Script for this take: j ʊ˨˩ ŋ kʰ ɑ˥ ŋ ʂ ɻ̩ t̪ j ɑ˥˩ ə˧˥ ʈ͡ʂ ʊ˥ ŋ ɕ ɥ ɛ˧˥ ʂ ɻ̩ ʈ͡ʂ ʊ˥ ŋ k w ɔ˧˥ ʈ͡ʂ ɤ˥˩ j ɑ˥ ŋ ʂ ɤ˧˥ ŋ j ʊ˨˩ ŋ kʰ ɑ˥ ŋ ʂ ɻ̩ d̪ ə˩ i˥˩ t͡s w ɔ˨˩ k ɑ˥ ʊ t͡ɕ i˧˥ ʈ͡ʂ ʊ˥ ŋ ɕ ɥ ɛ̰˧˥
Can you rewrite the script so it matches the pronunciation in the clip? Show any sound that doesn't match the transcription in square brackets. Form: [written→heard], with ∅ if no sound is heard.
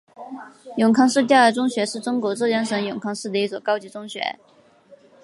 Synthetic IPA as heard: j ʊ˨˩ ŋ kʰ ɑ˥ ŋ ʂ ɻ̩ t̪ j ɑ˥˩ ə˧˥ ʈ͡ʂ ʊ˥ ŋ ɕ ɥ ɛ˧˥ ʂ ɻ̩ ʈ͡ʂ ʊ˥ ŋ k w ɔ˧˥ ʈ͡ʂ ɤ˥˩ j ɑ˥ ŋ ʂ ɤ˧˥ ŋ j ʊ˨˩ ŋ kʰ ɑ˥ ŋ ʂ ɻ̩ d̪ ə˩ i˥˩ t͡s w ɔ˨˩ k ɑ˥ ʊ t͡ɕ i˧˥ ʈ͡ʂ ʊ˥ ŋ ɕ ɥ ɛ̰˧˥